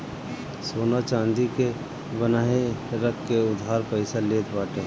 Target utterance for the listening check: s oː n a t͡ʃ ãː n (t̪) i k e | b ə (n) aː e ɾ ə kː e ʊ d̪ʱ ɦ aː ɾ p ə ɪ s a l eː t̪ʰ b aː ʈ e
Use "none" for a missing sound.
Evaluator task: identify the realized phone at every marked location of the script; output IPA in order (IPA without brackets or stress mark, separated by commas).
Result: d̪, n